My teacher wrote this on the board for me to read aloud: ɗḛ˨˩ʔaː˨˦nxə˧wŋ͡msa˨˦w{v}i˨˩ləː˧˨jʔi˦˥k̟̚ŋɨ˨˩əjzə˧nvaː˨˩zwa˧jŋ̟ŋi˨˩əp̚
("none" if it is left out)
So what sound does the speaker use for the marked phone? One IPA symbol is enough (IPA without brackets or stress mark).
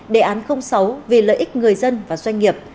v